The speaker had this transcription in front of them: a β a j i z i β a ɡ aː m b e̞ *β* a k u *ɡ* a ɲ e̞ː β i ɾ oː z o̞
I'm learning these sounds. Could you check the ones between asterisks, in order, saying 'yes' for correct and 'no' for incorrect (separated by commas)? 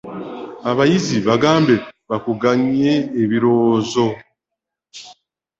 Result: yes, yes